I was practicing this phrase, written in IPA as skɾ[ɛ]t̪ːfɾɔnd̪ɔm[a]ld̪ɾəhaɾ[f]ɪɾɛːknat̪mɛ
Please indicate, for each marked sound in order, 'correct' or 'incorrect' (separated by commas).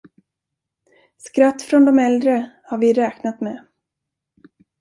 incorrect, incorrect, incorrect